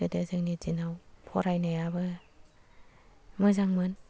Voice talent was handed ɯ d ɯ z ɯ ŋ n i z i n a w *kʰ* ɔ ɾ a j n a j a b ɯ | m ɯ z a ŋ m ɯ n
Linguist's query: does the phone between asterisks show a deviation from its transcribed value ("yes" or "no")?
yes